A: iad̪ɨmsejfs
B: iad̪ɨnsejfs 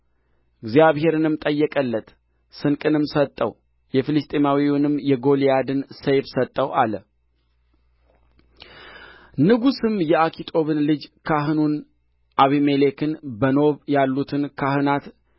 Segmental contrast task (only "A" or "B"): B